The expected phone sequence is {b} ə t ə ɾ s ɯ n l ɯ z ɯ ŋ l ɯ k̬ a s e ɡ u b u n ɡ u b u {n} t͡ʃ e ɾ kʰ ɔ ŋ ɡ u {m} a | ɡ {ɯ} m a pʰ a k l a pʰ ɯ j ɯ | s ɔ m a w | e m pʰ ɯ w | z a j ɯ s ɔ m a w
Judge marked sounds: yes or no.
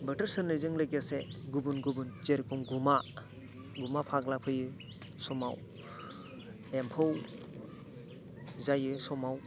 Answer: yes, yes, yes, no

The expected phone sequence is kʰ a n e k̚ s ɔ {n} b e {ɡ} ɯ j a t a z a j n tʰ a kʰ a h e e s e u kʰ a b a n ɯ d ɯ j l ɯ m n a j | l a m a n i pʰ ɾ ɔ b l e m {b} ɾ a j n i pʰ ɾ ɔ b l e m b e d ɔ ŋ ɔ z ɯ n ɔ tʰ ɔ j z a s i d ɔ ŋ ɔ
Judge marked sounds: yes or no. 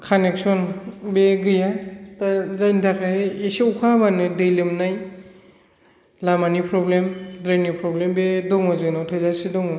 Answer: yes, yes, no

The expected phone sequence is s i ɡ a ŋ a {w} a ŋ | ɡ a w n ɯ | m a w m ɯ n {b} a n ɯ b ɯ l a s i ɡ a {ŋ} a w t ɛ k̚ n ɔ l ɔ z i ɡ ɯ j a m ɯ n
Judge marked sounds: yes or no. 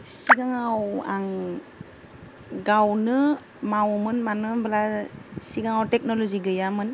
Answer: yes, no, yes

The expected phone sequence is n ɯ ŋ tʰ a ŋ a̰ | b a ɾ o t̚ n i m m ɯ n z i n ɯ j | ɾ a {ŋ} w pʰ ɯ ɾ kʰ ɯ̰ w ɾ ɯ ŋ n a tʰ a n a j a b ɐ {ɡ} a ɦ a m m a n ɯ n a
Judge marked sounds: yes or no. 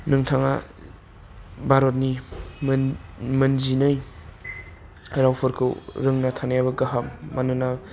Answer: no, yes

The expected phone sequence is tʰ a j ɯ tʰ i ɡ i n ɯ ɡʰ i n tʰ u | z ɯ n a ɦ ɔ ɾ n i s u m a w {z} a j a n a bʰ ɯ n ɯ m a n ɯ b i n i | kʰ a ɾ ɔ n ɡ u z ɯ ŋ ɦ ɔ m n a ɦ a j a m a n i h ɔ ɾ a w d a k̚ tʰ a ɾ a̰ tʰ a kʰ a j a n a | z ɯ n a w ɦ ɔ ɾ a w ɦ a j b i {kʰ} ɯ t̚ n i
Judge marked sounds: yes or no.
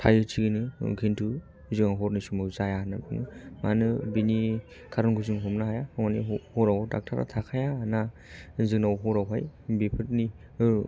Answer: yes, no

